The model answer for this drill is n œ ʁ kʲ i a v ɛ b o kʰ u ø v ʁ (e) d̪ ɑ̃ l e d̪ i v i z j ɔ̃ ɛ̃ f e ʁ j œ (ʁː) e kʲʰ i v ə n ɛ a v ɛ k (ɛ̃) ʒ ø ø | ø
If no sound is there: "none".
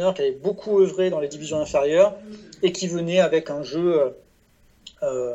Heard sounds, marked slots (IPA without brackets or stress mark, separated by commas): e, ʁ, ɛ̃